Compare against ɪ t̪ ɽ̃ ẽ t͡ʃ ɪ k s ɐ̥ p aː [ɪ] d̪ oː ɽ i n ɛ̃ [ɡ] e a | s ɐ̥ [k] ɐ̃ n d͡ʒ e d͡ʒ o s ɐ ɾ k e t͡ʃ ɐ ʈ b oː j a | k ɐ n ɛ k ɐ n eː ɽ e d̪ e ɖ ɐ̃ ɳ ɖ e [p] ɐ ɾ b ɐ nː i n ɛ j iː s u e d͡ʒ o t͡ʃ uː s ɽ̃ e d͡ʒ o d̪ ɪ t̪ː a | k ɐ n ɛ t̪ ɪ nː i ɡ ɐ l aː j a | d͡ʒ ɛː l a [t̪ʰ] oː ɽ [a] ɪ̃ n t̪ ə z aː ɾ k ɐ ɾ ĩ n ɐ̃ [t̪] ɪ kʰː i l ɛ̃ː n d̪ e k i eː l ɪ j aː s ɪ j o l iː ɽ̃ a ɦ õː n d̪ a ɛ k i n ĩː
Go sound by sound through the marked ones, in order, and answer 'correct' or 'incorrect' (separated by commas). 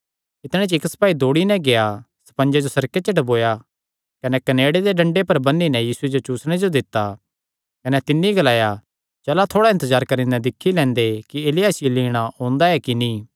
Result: incorrect, correct, incorrect, correct, correct, correct, incorrect